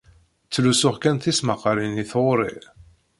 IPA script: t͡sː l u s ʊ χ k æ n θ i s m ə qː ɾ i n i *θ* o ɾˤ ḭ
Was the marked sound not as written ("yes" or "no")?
no